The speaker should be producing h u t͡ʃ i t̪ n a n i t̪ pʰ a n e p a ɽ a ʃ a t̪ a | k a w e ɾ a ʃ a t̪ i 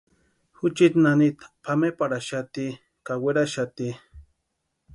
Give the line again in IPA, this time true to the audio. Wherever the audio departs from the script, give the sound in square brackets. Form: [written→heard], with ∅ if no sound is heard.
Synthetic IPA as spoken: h u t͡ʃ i t̪ n a n i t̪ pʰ a [n→m] e p a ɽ a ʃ a t̪ [a→i] | k a w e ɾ a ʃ a t̪ i